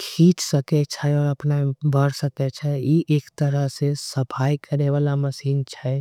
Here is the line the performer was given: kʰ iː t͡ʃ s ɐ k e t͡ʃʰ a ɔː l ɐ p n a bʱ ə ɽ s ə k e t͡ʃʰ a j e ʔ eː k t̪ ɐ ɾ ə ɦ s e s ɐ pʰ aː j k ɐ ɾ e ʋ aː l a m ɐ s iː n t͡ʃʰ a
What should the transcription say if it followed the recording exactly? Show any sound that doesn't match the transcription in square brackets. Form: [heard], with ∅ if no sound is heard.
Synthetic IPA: kʰ iː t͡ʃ s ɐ k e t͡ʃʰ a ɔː [ɾ] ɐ p n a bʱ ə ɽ s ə k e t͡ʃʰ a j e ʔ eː k t̪ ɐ ɾ ə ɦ s e s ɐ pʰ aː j k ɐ ɾ e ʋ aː l a m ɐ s iː n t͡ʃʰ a